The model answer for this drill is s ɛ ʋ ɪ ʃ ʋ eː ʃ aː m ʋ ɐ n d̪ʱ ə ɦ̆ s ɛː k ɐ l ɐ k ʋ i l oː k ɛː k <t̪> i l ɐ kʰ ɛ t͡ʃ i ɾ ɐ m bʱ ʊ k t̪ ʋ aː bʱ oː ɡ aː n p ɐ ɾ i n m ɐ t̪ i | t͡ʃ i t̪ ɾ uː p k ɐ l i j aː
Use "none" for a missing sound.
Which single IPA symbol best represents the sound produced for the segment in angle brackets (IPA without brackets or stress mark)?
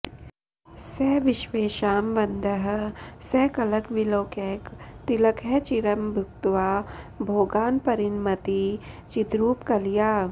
t̪